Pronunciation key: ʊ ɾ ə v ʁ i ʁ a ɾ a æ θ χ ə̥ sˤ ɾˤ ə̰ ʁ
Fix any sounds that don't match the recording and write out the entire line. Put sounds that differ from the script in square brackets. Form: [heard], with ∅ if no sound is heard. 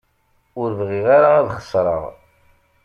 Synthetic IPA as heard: ʊ ɾ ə v ʁ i ʁ a ɾ a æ [ð] χ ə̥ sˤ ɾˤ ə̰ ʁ